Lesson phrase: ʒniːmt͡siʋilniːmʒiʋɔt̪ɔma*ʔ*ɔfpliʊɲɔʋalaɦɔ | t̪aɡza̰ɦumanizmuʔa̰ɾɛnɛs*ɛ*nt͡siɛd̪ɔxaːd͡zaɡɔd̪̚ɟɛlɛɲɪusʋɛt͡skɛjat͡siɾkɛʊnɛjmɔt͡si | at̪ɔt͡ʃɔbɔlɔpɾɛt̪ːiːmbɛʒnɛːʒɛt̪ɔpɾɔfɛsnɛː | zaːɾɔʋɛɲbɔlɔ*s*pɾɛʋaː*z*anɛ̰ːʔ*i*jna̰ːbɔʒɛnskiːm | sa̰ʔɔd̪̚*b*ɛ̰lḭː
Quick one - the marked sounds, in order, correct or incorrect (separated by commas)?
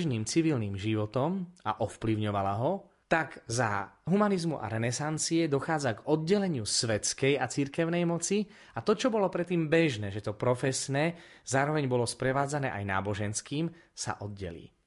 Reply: correct, incorrect, correct, incorrect, incorrect, incorrect